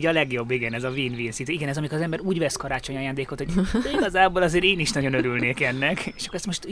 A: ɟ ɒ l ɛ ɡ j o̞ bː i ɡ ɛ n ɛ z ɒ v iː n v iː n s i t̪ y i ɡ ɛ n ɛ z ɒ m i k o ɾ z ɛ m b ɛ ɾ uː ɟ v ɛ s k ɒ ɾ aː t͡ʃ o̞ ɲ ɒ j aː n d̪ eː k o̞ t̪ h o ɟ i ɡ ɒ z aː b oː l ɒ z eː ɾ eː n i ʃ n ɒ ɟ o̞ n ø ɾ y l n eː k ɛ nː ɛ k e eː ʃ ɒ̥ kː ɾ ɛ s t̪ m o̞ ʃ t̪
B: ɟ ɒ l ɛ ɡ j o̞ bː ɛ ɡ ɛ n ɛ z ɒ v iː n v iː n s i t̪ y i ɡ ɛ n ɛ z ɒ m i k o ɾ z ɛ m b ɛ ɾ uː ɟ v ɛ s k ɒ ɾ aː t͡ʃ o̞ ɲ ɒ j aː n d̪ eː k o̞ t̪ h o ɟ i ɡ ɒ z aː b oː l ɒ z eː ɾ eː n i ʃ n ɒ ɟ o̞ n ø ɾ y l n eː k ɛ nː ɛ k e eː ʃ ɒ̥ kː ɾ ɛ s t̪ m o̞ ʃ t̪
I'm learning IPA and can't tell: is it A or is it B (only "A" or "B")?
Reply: A